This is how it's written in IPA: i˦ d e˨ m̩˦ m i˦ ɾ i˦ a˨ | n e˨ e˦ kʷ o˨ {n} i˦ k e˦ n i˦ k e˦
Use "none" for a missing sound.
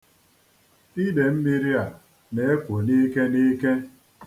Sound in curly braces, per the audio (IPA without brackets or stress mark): n